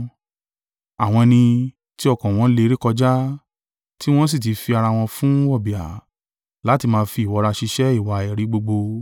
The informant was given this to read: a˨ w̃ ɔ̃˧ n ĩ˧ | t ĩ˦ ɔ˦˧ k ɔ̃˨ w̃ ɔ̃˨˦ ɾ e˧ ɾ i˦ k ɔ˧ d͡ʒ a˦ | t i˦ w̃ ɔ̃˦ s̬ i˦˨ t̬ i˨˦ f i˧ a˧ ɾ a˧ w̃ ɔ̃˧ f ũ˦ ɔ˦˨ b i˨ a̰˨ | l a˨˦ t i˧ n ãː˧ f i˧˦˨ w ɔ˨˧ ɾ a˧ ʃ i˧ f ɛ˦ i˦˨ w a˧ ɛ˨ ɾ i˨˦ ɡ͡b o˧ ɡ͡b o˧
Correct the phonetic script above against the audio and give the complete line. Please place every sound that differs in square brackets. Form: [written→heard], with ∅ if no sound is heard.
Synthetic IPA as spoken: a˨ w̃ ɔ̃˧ n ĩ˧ | t [ĩ˦→i˦] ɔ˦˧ k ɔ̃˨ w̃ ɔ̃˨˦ [ɾ→l] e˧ ɾ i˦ k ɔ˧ d͡ʒ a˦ | t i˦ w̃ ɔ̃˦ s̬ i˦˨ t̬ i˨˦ f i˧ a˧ ɾ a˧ w̃ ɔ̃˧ f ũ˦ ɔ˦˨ b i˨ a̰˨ | l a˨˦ t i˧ [n→m] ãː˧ f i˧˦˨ w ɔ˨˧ ɾ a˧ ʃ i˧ [f→ʃ] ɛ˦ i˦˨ w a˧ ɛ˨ ɾ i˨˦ ɡ͡b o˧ ɡ͡b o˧